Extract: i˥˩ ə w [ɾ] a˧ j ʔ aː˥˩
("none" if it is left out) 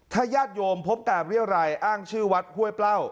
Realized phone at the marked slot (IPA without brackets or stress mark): ɾ